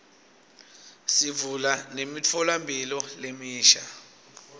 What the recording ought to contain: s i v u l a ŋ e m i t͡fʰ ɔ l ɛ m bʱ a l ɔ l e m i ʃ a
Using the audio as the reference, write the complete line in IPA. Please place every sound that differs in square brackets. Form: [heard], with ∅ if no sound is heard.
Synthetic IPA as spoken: s i v u l a [n] e m i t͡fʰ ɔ l [a] m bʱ [i] l ɔ l e m [iː] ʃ a

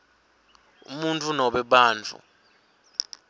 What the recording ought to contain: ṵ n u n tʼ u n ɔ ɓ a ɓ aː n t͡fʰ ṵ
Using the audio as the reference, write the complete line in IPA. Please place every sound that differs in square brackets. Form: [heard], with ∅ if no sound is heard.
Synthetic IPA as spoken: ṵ [m] u n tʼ u n ɔ ɓ [ɛ] ɓ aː n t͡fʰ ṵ

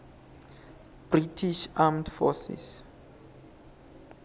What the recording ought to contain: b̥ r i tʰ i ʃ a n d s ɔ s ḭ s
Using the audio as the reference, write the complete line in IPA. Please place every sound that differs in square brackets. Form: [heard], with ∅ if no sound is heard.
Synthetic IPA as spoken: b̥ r i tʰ i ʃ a [m] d [f] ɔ s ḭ s

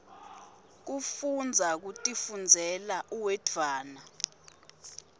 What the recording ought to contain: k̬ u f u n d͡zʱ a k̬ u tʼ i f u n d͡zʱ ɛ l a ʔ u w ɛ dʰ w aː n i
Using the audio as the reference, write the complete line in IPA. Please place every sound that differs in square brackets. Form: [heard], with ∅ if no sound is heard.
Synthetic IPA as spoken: k̬ u f u n d͡zʱ a k̬ u tʼ i f u n d͡zʱ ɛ l a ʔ u w ɛ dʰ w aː n [a]

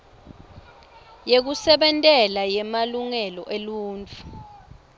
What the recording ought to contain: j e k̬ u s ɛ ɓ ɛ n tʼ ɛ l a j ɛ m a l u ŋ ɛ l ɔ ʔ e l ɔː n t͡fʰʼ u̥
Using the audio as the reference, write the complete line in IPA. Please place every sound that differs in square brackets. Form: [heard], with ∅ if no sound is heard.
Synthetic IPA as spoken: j e k̬ u s ɛ ɓ ɛ n tʼ ɛ l a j ɛ m a l u ŋ ɛ l ɔ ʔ e l [uː] n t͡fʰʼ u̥

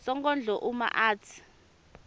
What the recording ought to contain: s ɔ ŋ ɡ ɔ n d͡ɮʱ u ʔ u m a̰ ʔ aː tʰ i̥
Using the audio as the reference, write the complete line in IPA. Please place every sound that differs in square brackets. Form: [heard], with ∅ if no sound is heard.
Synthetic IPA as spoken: s ɔ ŋ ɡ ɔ n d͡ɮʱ [ɔ] ʔ u m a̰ ʔ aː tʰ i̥

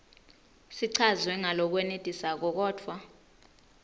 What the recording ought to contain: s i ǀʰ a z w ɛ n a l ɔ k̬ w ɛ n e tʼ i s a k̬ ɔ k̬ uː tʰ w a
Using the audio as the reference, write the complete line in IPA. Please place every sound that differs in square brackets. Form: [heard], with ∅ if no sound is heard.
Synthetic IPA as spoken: s i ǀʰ a z w ɛ [ŋ] a l ɔ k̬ w ɛ n e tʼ i s a k̬ ɔ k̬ [ɔː] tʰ w a

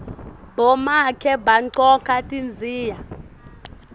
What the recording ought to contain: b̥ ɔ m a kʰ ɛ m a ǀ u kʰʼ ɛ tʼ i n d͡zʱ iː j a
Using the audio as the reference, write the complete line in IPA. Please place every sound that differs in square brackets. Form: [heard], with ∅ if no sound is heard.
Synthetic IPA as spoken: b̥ ɔ m a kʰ ɛ [b] a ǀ [ɔ] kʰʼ [a] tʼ i n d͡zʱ iː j a

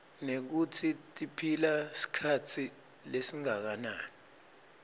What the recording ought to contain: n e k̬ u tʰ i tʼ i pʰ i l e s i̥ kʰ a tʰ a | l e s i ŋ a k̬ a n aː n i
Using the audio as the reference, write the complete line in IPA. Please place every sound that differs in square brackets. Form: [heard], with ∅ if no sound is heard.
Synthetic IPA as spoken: n e k̬ u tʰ i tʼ i pʰ i l [a] s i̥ kʰ a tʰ [i] | l e s i ŋ a k̬ a n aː n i

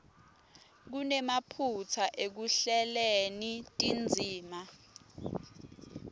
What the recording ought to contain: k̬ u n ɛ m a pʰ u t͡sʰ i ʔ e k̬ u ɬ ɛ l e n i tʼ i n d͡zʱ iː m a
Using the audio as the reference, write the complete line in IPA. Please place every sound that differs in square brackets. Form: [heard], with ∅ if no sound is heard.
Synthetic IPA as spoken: k̬ u n ɛ m a pʰ u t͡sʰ [a] ʔ e k̬ u ɬ ɛ l e n i tʼ i n d͡zʱ iː m a

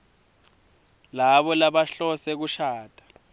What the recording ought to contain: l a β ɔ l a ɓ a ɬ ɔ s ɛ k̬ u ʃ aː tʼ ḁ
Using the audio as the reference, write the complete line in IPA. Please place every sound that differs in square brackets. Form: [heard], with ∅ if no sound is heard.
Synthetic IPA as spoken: l a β ɔ l a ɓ a ɬ ɔ s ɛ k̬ u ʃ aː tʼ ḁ

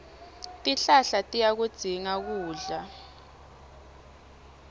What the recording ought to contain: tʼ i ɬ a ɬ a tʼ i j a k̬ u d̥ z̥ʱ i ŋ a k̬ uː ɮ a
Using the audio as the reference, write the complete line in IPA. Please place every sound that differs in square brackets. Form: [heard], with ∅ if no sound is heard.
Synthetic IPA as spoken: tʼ i ɬ a ɬ a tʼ i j a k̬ u d̥ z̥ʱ i ŋ a k̬ uː ɮ a

